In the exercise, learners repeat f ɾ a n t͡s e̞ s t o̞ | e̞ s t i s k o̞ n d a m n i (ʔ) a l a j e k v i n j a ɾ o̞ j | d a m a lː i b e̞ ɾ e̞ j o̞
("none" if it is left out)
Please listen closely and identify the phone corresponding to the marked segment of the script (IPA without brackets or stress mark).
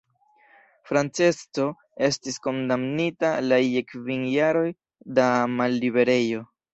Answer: t